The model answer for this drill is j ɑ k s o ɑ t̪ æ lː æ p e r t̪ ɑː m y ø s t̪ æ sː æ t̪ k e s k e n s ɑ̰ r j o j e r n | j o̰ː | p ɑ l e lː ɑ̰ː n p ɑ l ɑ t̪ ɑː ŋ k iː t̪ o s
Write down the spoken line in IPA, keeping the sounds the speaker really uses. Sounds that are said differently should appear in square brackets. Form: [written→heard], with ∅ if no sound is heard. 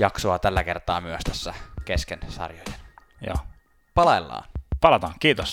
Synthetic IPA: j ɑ k s o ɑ t̪ æ lː æ [p→k] e r t̪ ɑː m y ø s t̪ æ sː æ [t̪→∅] k e s k e n s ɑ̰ r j o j e [r→∅] n | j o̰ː | p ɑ l e lː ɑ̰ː n p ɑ l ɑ t̪ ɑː ŋ k iː t̪ o s